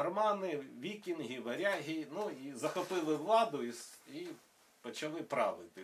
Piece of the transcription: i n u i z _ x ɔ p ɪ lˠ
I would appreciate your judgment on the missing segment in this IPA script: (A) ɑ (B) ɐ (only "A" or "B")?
B